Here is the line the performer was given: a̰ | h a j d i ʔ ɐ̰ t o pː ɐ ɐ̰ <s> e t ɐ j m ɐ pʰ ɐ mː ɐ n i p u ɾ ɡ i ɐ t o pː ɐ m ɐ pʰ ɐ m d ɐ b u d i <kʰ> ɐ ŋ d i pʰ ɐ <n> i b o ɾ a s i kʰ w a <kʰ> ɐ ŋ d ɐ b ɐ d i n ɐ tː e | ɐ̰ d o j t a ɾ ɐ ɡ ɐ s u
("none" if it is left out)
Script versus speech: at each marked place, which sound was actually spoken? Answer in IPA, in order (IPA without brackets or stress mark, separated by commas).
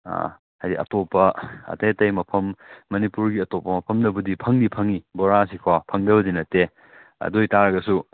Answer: t, pʰ, ŋ, pʰ